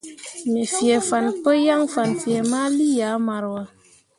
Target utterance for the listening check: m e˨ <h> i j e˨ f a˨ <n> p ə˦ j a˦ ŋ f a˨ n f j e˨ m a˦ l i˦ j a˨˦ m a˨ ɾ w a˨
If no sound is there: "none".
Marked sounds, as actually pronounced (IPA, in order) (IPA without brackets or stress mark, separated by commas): f, n